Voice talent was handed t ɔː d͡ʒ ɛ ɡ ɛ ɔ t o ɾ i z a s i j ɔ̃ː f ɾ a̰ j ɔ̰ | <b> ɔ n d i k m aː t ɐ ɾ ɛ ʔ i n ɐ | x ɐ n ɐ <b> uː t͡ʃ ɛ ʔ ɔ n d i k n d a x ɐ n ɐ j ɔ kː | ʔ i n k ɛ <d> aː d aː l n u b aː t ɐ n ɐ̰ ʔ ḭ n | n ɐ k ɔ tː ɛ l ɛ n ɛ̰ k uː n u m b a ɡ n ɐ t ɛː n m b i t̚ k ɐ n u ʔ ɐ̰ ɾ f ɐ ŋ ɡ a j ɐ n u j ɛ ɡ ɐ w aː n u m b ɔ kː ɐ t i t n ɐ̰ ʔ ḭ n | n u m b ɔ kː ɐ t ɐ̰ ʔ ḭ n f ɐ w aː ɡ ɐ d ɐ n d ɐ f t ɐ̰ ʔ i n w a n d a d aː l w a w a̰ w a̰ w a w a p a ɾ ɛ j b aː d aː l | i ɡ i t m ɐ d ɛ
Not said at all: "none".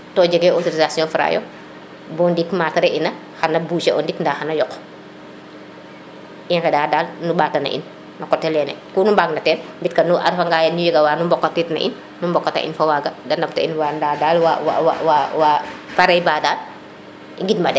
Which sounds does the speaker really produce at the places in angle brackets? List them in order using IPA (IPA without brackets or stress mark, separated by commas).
b, b, d